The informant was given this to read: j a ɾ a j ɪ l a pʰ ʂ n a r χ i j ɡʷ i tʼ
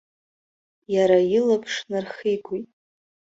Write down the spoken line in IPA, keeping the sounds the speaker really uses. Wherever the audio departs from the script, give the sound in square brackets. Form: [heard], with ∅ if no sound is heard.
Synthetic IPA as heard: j a ɾ a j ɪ l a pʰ ʂ n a r χ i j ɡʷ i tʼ